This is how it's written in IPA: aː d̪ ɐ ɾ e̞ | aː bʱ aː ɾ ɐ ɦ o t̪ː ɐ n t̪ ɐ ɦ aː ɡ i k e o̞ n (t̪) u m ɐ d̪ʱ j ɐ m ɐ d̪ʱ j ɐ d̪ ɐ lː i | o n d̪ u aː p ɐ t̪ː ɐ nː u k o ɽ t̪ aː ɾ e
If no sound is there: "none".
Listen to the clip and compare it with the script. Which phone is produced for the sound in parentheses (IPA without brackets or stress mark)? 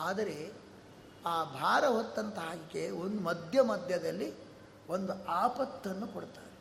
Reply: d̪